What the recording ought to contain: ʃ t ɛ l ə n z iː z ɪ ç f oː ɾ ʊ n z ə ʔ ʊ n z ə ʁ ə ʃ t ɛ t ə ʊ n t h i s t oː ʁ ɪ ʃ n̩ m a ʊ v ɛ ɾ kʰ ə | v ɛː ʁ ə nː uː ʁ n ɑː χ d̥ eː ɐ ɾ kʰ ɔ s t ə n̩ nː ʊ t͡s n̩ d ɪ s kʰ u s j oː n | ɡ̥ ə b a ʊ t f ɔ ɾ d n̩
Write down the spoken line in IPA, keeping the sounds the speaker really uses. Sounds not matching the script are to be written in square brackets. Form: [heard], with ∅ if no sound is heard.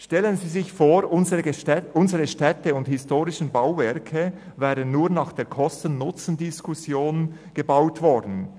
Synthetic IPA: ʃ t ɛ l ə n z iː z ɪ ç f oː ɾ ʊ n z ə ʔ ʊ n z ə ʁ ə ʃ t ɛ t ə ʊ n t h [ɪ] s t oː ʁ ɪ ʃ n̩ [b] a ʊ v ɛ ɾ kʰ ə | v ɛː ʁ ə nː uː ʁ n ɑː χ d̥ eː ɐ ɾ kʰ ɔ s t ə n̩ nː ʊ t͡s n̩ d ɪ s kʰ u s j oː n | ɡ̥ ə b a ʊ t [v] ɔ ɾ d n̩